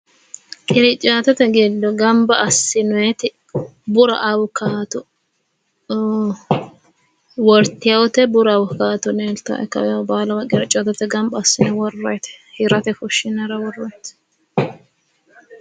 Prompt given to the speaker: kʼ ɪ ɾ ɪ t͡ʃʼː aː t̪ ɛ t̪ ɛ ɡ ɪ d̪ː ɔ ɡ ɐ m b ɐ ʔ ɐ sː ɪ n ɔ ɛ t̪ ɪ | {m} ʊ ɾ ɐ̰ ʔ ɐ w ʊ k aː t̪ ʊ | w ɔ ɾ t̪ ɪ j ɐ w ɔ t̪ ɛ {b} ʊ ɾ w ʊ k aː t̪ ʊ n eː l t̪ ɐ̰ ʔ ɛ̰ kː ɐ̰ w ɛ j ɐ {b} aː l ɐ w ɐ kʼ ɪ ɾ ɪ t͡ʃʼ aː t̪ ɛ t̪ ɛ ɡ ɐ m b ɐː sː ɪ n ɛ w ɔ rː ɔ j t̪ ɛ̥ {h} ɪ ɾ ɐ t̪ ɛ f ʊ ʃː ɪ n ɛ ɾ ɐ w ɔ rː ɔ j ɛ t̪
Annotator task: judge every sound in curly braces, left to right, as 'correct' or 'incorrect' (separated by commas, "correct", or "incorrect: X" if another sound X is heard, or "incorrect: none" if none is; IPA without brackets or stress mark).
incorrect: b, correct, correct, correct